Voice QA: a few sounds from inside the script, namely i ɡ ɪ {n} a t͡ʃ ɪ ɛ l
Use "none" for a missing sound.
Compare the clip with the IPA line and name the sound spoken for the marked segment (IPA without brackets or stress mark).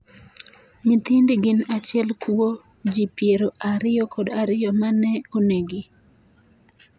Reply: n